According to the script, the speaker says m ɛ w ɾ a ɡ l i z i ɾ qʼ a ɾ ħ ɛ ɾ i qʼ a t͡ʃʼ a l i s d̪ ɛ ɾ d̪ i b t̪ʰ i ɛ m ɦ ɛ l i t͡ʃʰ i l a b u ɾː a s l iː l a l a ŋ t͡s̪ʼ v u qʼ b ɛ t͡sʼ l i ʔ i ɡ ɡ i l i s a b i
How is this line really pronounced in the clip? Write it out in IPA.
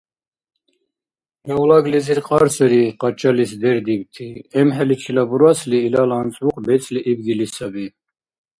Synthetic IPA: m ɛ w l a ɡ l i z i ɾ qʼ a ɾ s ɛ ɾ i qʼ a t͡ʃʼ a l i s d̪ ɛ ɾ d̪ i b t̪ʰ i ɛ m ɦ ɛ l i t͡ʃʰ i l a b u ɾ a s l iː l a l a n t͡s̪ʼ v u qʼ b ɛ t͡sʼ l i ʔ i b ɡ i l i s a b i